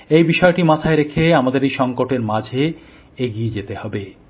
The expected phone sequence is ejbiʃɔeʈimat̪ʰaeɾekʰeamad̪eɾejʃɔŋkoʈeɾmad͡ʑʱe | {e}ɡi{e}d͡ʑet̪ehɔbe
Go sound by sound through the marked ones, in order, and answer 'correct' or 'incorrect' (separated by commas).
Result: correct, correct